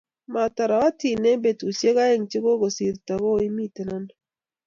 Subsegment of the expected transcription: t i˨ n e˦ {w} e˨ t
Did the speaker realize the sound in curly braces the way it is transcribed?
no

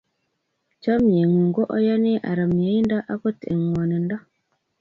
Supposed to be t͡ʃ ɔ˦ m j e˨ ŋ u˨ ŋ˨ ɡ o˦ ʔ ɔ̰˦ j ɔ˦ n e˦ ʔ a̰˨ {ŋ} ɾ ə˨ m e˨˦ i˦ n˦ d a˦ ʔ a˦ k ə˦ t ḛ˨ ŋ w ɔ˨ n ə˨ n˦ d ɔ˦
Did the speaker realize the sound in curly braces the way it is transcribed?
no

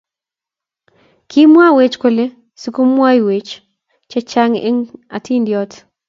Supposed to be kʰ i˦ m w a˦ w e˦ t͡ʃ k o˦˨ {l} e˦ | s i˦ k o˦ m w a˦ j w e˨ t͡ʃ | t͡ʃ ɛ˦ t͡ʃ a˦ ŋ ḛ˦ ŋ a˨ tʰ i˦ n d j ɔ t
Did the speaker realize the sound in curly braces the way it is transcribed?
yes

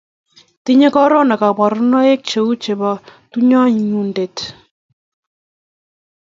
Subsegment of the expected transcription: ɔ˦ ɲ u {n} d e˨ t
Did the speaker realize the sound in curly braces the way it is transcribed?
yes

